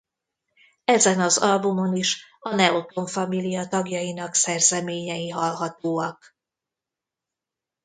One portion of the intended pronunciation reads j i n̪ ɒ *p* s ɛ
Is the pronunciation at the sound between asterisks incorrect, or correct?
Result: incorrect: k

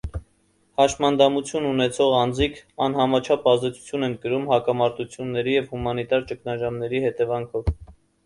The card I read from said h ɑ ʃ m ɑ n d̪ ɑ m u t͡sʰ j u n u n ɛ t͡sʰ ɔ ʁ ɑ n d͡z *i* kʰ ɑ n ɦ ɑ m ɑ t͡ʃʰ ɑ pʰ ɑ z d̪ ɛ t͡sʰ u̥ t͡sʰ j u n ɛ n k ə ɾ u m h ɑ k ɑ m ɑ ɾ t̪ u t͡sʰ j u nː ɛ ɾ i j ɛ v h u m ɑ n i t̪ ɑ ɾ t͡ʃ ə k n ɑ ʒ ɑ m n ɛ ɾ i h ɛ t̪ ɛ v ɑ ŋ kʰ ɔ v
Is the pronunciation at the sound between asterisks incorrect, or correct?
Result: correct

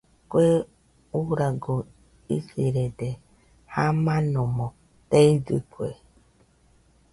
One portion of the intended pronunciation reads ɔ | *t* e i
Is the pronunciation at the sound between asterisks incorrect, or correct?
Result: correct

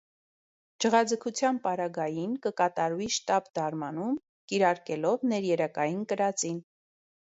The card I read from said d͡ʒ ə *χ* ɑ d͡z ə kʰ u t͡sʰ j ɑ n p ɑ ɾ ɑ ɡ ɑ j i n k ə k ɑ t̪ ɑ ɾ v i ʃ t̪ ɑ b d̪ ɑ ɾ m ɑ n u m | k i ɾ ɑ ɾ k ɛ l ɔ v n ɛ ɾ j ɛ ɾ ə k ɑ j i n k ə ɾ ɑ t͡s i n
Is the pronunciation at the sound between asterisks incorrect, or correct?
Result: incorrect: ʁ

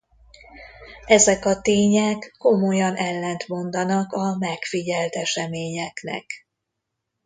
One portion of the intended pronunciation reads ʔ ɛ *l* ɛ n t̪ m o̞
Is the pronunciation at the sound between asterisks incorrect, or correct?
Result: incorrect: lː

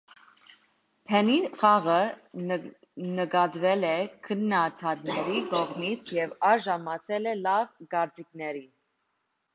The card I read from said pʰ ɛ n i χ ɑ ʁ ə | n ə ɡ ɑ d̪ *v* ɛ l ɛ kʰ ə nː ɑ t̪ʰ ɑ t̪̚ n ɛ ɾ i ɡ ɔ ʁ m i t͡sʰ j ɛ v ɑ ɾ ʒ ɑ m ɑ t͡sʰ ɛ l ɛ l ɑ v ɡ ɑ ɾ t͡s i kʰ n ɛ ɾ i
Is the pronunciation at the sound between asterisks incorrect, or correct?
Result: correct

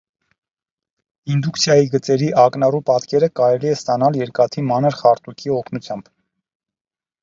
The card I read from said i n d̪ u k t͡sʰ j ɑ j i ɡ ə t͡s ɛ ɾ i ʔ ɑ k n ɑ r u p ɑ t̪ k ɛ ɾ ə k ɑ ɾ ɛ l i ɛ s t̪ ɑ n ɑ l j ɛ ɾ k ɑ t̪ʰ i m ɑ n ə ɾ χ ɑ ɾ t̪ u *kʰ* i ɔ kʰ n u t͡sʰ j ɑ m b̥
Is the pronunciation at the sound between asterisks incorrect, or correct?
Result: correct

